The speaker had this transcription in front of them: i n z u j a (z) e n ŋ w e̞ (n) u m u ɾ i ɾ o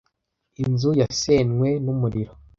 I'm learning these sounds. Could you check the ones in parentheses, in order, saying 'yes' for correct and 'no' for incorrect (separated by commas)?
no, yes